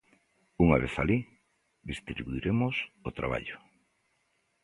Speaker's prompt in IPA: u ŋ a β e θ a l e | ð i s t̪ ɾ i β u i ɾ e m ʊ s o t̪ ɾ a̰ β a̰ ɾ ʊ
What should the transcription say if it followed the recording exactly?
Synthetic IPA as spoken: u ŋ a β e θ a l i | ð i s t̪ ɾ i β u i ɾ e m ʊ s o t̪ ɾ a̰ β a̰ ʎ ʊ